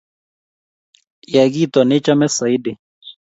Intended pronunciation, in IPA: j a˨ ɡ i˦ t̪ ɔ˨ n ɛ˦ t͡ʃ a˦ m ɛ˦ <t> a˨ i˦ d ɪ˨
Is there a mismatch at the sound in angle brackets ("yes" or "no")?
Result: yes